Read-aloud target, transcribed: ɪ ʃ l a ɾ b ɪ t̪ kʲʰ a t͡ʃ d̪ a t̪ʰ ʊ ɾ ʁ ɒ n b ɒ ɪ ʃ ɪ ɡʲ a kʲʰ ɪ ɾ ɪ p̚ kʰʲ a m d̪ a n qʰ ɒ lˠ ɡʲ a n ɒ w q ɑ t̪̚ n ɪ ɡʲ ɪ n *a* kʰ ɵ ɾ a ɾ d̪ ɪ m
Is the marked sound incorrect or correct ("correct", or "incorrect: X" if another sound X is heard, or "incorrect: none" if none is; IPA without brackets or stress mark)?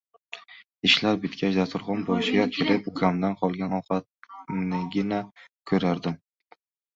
correct